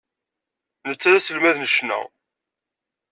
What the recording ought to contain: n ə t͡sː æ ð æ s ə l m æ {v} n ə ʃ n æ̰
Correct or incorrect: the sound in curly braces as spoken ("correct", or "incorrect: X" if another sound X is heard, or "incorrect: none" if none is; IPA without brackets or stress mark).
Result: incorrect: ð